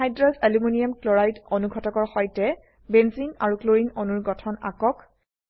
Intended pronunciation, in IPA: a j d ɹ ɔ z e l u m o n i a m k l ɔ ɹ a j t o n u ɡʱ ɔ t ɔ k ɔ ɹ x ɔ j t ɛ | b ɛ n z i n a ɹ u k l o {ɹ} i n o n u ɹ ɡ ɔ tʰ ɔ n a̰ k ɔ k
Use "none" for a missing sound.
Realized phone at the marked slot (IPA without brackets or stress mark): ɹ